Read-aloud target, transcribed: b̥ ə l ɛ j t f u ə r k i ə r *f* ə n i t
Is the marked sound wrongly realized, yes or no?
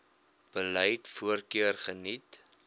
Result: yes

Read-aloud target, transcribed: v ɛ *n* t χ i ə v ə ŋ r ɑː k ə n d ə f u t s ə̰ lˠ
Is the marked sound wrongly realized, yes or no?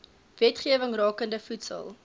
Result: yes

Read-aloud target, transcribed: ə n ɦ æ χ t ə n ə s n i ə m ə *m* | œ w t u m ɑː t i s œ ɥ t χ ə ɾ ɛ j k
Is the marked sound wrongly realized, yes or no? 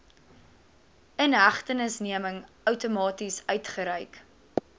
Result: yes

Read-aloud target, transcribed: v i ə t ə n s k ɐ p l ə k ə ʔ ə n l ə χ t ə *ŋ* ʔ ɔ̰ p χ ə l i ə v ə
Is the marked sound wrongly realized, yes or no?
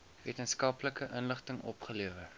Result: no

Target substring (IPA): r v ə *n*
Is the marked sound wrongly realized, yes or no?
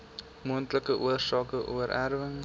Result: yes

